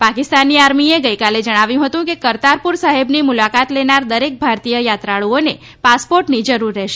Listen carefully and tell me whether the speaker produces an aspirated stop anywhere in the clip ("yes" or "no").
no